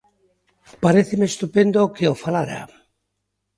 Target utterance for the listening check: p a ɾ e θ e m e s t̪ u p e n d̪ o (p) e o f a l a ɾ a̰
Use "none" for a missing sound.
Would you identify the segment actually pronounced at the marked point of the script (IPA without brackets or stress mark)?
k